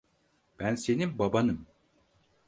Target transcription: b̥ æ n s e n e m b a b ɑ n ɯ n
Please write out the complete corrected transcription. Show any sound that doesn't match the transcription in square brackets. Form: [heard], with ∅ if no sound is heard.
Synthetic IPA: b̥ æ n s e n [i] m b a b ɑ n ɯ [m]